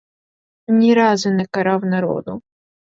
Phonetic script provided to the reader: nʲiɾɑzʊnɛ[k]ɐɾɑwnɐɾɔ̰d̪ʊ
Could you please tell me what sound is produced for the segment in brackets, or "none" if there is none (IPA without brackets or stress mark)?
k